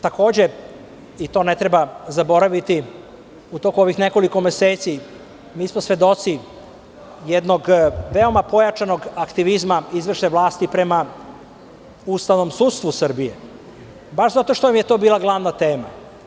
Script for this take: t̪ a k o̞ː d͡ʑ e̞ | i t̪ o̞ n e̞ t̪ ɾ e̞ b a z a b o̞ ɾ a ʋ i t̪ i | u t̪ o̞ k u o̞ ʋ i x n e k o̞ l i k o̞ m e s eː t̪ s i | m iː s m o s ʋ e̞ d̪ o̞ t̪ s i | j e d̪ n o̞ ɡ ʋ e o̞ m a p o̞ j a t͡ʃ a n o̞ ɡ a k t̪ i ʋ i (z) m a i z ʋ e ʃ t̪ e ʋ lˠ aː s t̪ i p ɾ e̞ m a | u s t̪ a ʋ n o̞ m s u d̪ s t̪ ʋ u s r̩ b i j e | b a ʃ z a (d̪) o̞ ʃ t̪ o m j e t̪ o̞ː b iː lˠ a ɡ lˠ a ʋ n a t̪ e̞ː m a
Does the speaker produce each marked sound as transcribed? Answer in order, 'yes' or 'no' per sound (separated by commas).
yes, no